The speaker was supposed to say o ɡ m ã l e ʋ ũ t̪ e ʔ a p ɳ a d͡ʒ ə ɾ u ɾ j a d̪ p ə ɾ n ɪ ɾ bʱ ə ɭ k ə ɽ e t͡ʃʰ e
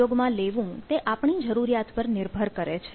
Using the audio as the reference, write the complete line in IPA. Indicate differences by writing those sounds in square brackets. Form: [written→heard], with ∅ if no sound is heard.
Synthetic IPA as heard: o ɡ m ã l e ʋ ũ t̪ e ʔ a p ɳ [a→i] d͡ʒ ə ɾ u ɾ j a [d̪→t̪] p ə ɾ n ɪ ɾ bʱ ə [ɭ→ɾ] k ə [ɽ→ɾ] e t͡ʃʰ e